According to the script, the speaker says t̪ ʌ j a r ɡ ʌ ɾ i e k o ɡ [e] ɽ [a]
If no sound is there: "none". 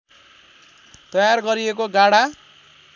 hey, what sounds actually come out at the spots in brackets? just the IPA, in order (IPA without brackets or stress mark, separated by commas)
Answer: a, a